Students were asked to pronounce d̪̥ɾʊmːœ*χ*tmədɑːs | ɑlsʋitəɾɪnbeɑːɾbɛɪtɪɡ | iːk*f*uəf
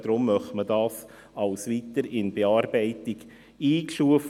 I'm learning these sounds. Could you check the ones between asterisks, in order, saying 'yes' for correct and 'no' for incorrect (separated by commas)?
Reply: yes, no